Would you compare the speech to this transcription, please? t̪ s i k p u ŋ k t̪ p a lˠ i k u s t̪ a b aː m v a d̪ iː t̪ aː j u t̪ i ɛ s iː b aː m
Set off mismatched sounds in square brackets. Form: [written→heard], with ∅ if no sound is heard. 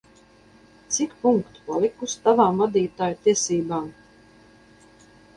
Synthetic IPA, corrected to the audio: t̪ s i k p u ŋ k t̪ p a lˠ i k u s t̪ a [b→v] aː m v a d̪ iː t̪ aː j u t̪ i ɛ s iː b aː m

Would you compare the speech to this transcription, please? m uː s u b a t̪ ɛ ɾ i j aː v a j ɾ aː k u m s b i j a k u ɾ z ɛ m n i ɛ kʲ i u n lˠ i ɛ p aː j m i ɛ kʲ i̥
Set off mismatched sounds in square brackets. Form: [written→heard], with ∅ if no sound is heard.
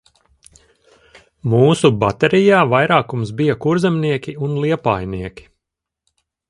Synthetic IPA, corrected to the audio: m uː s u b a t̪ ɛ ɾ i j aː v a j ɾ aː k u m s b i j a k u ɾ z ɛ m n i ɛ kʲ i u n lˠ i ɛ p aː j [m→n] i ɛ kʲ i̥

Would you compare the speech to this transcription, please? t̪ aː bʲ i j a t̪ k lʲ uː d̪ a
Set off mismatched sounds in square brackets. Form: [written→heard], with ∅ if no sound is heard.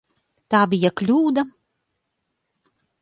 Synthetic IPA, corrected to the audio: t̪ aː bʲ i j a [t̪→∅] k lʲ uː d̪ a

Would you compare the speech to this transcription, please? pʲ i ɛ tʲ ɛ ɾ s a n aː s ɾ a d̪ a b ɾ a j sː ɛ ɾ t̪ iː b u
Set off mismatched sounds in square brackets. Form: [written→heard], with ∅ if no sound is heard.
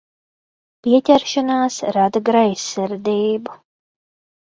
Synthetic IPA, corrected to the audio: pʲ i ɛ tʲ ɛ ɾ [s→ʃ] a n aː s ɾ a d̪ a [b→ɡ] ɾ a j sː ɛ ɾ [t̪→d̪] iː b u

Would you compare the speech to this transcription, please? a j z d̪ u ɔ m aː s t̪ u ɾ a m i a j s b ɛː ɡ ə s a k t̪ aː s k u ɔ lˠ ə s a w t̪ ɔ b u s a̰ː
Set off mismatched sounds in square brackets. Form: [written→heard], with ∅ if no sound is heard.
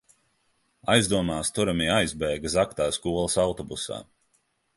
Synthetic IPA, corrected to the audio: a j z d̪ u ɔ m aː s t̪ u ɾ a m i a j [s→z] b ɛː ɡ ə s a k t̪ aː s k u ɔ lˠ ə s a w t̪ ɔ b u s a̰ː

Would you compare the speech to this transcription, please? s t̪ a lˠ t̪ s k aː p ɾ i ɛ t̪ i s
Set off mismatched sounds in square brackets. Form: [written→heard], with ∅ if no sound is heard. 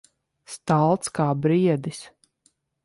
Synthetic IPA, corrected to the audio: s t̪ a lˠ t̪ s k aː [p→b] ɾ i ɛ [t̪→d̪] i s

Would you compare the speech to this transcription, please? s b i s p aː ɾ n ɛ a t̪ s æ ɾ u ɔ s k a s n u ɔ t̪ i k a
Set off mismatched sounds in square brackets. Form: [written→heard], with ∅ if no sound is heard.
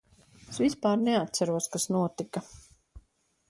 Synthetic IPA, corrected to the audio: s [b→v] i s p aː ɾ n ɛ a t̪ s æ ɾ u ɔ s k a s n u ɔ t̪ i k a

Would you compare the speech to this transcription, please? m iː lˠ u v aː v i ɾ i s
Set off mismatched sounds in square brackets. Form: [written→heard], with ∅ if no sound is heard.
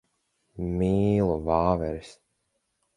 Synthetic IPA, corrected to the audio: m iː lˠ u v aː v [i→ɛ] ɾ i s

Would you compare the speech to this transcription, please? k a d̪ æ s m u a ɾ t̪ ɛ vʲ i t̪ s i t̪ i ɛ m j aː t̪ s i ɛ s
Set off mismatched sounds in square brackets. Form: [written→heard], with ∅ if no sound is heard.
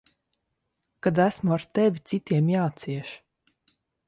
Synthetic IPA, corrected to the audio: k a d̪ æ s m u a ɾ t̪ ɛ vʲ i t̪ s i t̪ i ɛ m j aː t̪ s i ɛ [s→ʃ]

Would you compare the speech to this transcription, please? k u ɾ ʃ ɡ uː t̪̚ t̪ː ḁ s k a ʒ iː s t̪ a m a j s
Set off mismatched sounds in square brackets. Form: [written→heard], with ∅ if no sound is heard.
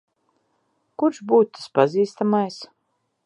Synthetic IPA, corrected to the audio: k u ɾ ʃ [ɡ→b] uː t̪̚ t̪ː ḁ s [k→p] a [ʒ→z] iː s t̪ a m a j s

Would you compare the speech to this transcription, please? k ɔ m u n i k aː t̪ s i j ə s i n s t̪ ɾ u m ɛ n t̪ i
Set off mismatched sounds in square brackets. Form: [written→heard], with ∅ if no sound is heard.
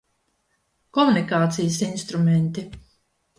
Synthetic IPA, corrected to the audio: k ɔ m u n i k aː t̪ s i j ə s i n s t̪ ɾ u m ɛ n t̪ i

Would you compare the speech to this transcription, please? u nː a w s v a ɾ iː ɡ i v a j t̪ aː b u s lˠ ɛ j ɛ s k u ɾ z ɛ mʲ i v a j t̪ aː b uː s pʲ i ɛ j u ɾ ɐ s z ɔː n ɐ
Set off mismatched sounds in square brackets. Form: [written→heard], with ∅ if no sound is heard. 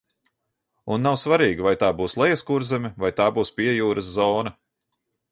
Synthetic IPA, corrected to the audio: u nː a w s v a ɾ iː ɡ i v a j t̪ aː b [u→uː] s lˠ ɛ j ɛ s k u ɾ z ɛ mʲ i v a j t̪ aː b uː s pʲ i ɛ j [u→uː] ɾ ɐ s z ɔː n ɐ

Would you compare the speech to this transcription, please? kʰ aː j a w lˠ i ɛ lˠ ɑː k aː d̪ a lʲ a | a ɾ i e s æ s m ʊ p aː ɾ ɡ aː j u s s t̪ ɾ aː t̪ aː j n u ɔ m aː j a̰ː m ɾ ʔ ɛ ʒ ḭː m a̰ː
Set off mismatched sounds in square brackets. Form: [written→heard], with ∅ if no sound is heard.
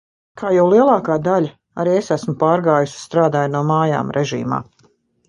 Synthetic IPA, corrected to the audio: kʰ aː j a w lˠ i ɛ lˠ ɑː k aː d̪ a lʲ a | a ɾ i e s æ s m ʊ p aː ɾ ɡ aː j u s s t̪ ɾ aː [t̪→d̪] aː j n u ɔ m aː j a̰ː m ɾ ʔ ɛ ʒ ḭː m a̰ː

